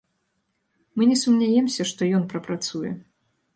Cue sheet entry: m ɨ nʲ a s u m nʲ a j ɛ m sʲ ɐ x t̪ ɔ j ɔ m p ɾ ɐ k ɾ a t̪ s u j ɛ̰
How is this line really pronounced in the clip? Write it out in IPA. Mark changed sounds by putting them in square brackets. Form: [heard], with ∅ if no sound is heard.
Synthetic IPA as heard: m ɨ nʲ [ɛ] s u m nʲ a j ɛ m sʲ ɐ [ʂ] t̪ ɔ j ɔ [n] p ɾ ɐ [p] ɾ a t̪ s u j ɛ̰

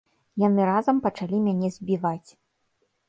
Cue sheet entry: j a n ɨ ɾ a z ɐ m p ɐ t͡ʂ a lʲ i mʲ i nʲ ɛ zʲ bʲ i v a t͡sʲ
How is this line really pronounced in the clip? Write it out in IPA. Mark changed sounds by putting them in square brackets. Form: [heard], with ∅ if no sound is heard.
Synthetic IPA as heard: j a n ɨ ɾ a z ɐ m p ɐ t͡ʂ a lʲ i mʲ [a] nʲ ɛ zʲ bʲ i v a t͡sʲ

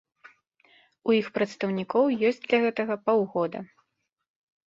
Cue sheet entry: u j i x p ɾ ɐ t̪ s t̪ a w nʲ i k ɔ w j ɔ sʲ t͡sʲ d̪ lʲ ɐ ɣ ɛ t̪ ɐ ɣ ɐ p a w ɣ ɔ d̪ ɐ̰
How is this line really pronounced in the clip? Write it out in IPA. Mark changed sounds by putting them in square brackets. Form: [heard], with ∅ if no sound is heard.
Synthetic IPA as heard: u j i x p ɾ ɐ t̪ s t̪ [ɐ] w nʲ i k ɔ w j ɔ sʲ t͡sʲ d̪ lʲ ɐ ɣ ɛ t̪ ɐ ɣ ɐ p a w ɣ ɔ d̪ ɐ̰

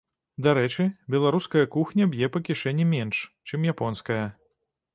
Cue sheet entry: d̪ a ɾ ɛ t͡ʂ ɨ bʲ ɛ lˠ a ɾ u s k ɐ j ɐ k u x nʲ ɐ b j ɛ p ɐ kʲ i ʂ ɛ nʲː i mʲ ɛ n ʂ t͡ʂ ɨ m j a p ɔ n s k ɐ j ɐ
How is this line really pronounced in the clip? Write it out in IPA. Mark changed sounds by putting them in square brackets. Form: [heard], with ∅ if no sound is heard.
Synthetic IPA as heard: d̪ a ɾ ɛ t͡ʂ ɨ bʲ ɛ lˠ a ɾ u s k ɐ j ɐ k u x nʲ ɐ b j ɛ p ɐ kʲ i ʂ ɛ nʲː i mʲ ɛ n ʂ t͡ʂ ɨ m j a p ɔ n s k ɐ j ɐ

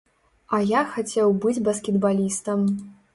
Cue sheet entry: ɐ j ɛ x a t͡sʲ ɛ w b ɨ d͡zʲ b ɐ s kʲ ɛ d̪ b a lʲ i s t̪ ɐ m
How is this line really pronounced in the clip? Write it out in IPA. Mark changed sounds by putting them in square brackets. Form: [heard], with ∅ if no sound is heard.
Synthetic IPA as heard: ɐ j [a] x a t͡sʲ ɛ w b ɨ d͡zʲ b ɐ s kʲ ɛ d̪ b a lʲ i s t̪ ɐ m

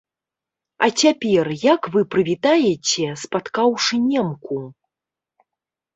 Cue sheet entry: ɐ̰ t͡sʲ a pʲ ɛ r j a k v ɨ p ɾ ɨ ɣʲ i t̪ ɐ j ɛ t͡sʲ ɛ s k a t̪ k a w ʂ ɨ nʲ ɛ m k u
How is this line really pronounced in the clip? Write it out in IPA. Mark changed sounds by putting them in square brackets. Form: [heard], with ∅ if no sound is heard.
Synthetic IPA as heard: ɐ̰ t͡sʲ a pʲ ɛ r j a k v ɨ p ɾ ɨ [vʲ] i t̪ [a] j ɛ t͡sʲ ɛ s [p] a t̪ k a w ʂ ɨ nʲ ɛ m k u

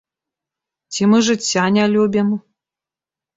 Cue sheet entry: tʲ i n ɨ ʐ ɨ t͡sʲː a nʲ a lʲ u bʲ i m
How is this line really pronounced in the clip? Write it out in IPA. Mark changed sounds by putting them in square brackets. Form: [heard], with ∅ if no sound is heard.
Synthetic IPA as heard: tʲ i [m] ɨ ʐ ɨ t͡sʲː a nʲ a lʲ u bʲ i m

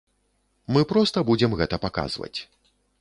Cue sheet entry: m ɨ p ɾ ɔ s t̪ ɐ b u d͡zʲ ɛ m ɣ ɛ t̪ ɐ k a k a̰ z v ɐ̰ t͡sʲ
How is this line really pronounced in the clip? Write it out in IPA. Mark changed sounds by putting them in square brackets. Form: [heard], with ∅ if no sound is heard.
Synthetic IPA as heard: m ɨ p ɾ ɔ s t̪ ɐ b u d͡zʲ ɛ m ɣ ɛ t̪ ɐ [p] a k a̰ z v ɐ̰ t͡sʲ

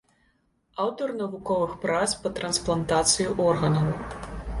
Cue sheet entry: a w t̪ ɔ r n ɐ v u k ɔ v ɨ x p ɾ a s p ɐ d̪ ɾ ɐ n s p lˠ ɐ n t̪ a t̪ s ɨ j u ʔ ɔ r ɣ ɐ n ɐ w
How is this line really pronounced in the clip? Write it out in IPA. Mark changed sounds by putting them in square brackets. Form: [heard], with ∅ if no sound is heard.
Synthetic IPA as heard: a w t̪ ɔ r n ɐ v u k ɔ v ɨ x p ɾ a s p ɐ [t̪] ɾ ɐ n s p lˠ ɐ n t̪ a t̪ s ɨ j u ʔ ɔ r ɣ ɐ n ɐ w

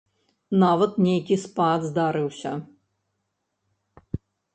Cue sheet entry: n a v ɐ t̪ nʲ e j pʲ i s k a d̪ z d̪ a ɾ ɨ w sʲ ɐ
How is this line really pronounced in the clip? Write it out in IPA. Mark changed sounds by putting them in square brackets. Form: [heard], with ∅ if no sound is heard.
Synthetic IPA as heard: n a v ɐ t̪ nʲ e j [kʲ] i s [p] a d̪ z d̪ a ɾ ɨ w sʲ ɐ

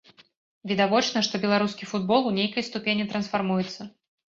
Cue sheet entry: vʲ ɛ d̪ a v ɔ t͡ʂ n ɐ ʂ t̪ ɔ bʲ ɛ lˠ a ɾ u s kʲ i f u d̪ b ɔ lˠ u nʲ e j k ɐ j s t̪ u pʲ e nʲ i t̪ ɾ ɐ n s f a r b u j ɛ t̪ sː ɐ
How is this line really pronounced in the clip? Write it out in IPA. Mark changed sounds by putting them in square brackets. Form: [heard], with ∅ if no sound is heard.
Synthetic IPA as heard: vʲ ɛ d̪ a v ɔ t͡ʂ n ɐ ʂ t̪ ɔ bʲ ɛ lˠ a ɾ u s kʲ i f u d̪ b ɔ lˠ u nʲ e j k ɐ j s t̪ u pʲ e nʲ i t̪ ɾ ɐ n s f a r [m] u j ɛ t̪ sː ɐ

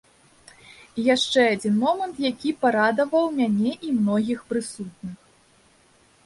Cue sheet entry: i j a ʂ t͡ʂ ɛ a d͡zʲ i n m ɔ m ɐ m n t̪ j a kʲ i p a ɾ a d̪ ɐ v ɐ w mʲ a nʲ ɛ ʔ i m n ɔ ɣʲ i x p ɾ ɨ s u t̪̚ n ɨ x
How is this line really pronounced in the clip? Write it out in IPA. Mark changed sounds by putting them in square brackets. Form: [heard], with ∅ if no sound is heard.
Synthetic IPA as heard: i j a ʂ t͡ʂ ɛ a d͡zʲ i n m ɔ m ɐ [∅] n t̪ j a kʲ i p a ɾ a d̪ ɐ v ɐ w mʲ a nʲ ɛ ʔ i m n ɔ ɣʲ i x p ɾ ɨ s u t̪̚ n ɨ x

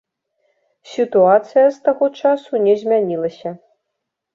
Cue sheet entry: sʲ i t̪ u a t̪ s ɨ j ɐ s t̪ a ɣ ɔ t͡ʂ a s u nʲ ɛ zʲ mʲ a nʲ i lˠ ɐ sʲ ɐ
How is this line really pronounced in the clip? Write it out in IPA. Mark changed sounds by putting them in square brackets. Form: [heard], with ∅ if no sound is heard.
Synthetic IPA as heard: sʲ i t̪ u a t̪ s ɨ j ɐ s t̪ a ɣ ɔ t͡ʂ a s u nʲ ɛ zʲ mʲ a nʲ i lˠ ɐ sʲ ɐ

